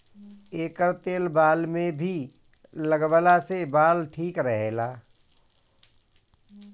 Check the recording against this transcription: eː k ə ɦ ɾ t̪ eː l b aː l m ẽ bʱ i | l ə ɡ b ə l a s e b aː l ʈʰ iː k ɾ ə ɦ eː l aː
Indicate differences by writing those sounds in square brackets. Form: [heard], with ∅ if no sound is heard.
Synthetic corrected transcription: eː k ə [∅] ɾ t̪ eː l b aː l m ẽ bʱ i | l ə ɡ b ə l a s e b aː l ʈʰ iː k ɾ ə ɦ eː l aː